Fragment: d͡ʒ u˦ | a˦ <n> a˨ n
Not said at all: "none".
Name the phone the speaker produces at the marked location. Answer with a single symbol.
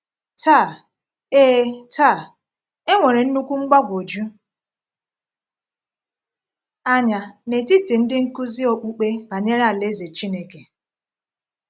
ɲ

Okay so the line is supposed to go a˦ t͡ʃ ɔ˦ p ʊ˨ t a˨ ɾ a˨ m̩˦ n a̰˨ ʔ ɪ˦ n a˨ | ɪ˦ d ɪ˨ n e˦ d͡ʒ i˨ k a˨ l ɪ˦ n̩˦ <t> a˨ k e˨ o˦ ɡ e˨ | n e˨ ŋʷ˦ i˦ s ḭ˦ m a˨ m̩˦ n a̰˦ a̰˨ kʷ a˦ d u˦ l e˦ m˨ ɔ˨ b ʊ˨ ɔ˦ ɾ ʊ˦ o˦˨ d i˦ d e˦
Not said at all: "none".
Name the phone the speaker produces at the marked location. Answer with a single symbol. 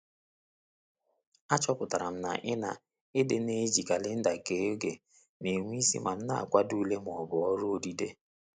d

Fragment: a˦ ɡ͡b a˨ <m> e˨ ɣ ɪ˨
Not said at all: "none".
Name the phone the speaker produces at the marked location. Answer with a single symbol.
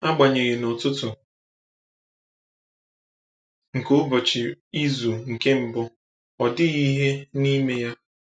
ɲ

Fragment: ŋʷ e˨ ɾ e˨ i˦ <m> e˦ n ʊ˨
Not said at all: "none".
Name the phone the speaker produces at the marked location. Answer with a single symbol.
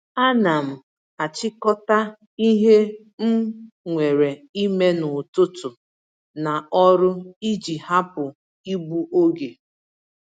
m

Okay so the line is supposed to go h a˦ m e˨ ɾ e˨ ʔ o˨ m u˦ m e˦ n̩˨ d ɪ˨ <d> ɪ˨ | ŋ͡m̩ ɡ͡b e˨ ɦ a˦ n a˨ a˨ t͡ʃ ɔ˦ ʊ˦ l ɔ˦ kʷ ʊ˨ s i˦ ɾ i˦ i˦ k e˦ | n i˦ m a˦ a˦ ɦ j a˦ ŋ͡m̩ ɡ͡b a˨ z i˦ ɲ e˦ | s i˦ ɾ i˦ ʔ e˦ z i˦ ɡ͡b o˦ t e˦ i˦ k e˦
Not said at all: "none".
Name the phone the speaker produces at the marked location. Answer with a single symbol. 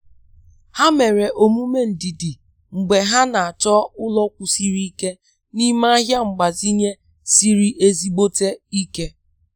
d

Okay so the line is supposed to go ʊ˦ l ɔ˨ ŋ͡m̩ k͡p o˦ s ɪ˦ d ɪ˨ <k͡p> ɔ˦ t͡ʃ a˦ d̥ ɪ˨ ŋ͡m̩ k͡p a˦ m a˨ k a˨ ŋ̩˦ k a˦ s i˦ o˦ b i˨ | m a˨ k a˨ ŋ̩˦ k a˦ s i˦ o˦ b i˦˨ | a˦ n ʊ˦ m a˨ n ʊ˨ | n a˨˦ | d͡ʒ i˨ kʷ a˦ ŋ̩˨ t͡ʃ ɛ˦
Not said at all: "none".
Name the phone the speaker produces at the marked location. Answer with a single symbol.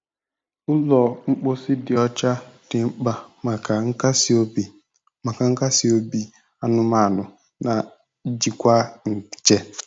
none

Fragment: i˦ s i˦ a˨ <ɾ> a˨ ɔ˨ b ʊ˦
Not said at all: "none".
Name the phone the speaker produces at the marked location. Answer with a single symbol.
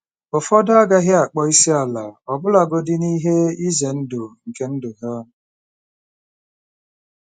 l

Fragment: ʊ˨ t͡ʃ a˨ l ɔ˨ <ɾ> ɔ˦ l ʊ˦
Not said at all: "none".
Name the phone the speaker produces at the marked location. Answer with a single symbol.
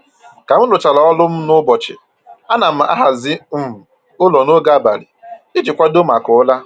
none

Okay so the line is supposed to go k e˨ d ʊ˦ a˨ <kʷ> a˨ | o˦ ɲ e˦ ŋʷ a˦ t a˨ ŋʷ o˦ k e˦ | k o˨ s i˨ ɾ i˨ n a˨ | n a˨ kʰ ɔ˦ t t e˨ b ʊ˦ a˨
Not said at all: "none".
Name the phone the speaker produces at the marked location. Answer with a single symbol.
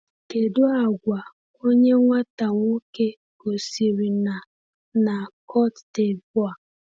ɡʷ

